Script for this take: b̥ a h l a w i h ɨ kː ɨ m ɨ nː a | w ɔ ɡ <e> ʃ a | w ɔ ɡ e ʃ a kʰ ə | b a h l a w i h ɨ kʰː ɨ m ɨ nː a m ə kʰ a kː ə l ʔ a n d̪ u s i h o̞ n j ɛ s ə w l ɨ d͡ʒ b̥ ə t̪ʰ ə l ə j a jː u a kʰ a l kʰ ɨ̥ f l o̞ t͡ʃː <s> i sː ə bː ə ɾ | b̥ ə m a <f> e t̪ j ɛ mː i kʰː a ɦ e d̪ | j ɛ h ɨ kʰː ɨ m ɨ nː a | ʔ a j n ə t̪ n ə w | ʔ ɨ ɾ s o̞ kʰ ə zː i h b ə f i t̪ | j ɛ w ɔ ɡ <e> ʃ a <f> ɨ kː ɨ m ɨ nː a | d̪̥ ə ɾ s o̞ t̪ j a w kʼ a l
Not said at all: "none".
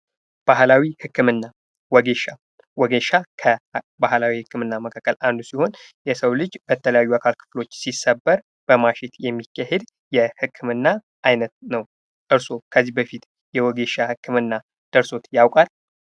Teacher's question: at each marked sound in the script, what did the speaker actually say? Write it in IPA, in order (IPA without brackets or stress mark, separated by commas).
e, s, ʃ, e, h